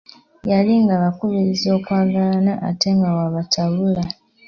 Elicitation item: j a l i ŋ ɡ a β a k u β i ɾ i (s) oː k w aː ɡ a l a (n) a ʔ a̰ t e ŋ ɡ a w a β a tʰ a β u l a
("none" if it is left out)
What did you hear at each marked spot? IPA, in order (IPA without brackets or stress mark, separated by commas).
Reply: z, n